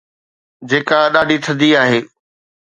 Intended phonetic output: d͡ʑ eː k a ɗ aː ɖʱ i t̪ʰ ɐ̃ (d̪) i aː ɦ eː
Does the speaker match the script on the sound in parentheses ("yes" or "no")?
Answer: yes